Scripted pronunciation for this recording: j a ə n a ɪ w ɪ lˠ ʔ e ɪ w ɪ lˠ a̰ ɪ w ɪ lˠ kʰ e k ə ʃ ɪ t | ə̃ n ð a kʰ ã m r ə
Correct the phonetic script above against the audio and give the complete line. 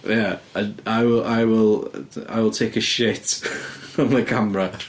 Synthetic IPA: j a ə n a ɪ w ɪ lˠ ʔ a ɪ w ɪ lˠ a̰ ɪ w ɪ lˠ tʰ e k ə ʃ ɪ t | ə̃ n ð ə kʰ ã m ɹ ə